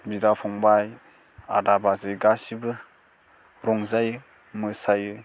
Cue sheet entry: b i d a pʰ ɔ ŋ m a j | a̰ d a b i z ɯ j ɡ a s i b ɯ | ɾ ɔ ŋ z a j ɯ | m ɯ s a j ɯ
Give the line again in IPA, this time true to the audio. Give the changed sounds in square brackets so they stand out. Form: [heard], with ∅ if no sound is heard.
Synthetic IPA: b i d a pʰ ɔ ŋ [b] a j | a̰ d a b [a] z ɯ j ɡ a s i b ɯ | ɾ ɔ ŋ z a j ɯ | m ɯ s a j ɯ